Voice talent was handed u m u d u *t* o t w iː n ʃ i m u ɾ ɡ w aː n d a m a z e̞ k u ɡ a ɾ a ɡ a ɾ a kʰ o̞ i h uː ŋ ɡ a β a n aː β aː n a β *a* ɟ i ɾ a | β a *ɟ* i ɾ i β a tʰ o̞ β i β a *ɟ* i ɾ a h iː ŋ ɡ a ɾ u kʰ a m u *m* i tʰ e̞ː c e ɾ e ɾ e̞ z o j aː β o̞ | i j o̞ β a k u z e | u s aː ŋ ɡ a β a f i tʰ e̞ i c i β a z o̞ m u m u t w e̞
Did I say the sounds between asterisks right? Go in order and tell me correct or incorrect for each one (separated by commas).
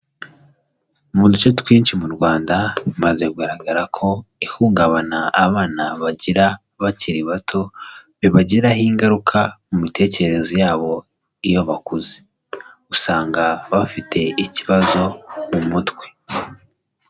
incorrect, correct, incorrect, correct, correct